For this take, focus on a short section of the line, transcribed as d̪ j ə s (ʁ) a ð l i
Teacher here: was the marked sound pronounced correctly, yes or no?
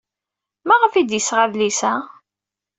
yes